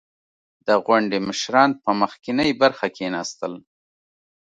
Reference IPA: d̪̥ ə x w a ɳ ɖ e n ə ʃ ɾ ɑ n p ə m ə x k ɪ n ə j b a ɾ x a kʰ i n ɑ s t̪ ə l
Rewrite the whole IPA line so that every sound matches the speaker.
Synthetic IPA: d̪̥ ə ɣ w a ɳ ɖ e m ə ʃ ɾ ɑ n p ə m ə x k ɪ n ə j b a ɾ x a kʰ e n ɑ s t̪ ə l